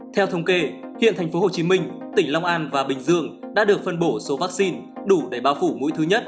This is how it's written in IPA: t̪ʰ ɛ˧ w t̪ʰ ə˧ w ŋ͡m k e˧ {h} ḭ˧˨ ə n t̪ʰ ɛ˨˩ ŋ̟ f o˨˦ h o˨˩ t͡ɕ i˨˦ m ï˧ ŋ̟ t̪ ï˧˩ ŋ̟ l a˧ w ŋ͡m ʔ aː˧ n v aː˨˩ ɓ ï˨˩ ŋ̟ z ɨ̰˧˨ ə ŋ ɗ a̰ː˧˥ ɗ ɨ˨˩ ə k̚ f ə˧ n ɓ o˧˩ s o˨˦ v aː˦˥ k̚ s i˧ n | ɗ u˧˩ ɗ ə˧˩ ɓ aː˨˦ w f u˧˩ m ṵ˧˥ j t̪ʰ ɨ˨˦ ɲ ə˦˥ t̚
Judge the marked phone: correct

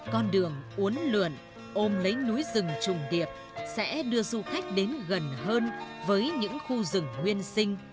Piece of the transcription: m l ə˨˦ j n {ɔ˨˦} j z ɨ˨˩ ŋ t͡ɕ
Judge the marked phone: incorrect: u˨˦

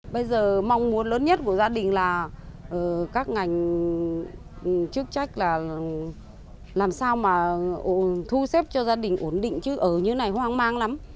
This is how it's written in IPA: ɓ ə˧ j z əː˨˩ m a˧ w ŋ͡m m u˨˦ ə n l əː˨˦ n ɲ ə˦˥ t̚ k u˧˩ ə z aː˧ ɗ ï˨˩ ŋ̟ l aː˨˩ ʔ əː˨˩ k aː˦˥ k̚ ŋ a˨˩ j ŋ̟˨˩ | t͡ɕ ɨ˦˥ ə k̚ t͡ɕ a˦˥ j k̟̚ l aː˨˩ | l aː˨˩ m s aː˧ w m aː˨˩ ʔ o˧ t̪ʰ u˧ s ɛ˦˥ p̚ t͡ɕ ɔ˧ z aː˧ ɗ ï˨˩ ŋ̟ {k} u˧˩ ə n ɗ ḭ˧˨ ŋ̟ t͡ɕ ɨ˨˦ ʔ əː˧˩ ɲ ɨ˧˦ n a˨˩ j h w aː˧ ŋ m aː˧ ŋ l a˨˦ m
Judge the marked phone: incorrect: ʔ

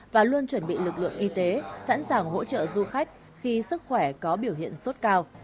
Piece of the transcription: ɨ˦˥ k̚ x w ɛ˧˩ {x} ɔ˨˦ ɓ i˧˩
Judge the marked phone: incorrect: k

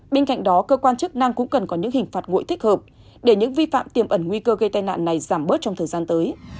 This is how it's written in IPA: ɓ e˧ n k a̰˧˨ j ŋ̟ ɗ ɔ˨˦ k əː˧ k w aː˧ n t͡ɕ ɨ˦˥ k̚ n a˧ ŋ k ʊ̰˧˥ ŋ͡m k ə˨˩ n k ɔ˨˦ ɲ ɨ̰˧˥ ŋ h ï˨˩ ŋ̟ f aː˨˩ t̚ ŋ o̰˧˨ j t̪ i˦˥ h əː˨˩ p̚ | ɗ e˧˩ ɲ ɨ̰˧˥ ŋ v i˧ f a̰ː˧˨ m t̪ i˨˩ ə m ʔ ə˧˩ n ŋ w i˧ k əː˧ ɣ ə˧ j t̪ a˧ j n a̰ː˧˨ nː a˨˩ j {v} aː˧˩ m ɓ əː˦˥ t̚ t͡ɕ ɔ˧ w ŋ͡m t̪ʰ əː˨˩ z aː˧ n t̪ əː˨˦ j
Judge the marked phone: incorrect: z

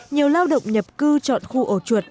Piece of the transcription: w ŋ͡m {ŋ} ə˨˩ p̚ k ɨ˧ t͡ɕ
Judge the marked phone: incorrect: ɲ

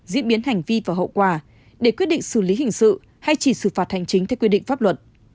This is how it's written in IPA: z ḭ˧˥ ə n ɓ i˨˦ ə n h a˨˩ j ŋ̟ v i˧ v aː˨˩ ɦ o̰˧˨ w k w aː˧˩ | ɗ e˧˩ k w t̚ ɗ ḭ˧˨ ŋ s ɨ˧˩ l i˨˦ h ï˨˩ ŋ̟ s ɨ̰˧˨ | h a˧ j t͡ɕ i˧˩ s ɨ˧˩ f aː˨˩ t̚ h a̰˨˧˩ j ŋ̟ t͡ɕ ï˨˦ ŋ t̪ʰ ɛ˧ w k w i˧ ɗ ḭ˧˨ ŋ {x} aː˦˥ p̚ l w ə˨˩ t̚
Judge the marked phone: incorrect: f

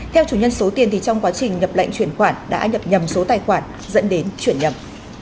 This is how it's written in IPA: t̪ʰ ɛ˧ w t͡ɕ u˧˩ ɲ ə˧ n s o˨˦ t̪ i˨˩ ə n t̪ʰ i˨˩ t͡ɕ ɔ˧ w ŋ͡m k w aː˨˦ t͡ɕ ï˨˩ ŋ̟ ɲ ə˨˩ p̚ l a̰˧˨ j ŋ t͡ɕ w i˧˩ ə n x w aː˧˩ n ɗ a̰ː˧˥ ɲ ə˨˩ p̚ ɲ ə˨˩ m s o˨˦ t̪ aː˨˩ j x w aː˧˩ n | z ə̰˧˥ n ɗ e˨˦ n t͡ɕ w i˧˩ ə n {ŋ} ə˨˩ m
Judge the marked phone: incorrect: ɲ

